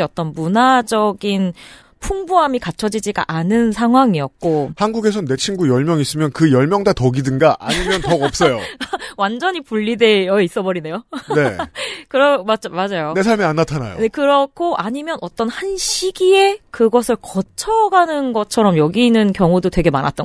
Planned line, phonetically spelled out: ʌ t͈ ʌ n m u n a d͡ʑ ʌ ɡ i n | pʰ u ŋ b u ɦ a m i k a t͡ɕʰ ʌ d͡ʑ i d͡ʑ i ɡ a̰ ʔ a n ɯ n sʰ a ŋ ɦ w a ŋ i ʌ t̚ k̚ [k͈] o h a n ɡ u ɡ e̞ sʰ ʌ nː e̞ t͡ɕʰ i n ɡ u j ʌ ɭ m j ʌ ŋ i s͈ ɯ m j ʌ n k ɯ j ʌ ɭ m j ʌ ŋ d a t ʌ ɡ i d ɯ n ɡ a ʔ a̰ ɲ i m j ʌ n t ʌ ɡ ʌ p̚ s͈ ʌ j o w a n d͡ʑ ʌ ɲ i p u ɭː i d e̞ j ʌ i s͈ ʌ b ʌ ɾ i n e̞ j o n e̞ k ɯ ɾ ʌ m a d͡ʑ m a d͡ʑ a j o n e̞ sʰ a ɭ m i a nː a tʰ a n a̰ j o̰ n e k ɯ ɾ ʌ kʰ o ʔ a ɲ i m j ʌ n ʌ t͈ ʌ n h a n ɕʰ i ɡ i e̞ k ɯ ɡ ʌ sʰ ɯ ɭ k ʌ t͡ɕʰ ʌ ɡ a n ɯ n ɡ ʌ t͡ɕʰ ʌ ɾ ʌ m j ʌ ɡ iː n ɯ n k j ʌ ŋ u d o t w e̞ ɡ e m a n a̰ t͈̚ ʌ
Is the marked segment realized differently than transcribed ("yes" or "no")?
no